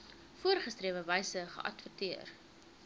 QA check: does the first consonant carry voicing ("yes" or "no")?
no